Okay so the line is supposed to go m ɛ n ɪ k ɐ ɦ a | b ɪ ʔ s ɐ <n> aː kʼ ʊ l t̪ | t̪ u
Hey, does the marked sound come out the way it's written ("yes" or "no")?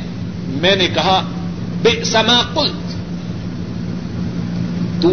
no